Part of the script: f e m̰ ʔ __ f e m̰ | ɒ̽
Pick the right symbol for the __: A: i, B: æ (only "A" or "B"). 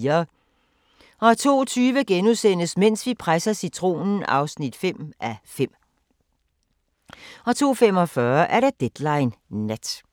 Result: B